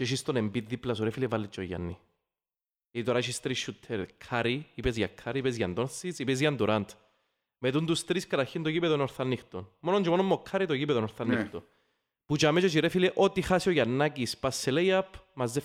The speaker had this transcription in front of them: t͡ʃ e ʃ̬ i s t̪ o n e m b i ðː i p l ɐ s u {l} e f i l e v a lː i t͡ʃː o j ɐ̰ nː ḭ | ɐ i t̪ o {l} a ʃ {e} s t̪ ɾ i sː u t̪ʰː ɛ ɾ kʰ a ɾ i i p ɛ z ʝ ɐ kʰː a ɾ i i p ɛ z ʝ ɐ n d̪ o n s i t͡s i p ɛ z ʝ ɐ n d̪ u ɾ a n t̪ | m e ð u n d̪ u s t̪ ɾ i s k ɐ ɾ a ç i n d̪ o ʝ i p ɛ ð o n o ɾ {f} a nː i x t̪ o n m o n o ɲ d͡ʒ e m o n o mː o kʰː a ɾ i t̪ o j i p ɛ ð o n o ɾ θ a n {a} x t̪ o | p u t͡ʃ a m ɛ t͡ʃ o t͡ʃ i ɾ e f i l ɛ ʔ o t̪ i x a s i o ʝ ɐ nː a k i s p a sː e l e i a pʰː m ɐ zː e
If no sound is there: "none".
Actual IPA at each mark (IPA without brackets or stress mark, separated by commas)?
ɾ, ɾ, i, θ, i